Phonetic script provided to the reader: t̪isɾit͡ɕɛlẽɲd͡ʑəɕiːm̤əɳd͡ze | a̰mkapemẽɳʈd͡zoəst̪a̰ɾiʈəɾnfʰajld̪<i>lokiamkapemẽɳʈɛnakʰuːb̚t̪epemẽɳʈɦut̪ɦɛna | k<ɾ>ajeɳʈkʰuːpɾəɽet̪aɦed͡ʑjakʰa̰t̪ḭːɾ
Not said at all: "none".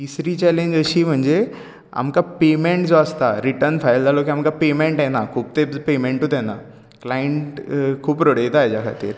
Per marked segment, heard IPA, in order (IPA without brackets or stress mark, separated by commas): a, l